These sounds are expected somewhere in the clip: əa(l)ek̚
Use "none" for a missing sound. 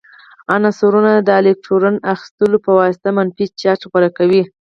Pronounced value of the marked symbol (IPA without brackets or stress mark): l